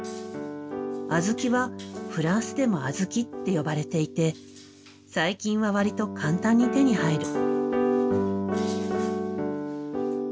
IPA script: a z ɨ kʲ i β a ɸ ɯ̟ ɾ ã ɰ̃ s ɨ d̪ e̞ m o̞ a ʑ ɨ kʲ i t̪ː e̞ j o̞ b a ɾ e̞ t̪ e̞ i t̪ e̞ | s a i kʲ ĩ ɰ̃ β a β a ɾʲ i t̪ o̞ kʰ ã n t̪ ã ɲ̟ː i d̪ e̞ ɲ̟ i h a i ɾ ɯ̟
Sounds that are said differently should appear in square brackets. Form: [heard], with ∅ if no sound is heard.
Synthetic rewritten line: a z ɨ kʲ i β a ɸ ɯ̟ ɾ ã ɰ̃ s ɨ d̪ e̞ m o̞ a [z] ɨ kʲ i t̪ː e̞ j o̞ b a ɾ e̞ t̪ e̞ i t̪ e̞ | s a i kʲ ĩ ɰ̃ β a β a ɾʲ i t̪ o̞ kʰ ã n t̪ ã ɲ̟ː i [t̪] e̞ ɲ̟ i h a i ɾ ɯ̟